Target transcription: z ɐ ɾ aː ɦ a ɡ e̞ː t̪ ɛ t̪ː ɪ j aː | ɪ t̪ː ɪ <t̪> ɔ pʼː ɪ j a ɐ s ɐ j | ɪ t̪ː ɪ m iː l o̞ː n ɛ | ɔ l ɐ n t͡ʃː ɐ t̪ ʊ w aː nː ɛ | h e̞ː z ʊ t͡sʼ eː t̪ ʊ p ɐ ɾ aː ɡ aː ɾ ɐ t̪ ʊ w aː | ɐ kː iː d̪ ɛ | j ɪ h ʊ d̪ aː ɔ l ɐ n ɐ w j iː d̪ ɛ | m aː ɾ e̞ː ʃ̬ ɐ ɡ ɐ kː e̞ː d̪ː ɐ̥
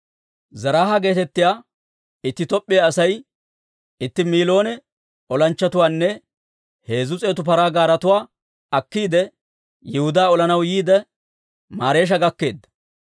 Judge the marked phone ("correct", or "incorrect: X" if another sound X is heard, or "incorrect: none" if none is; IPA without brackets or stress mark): correct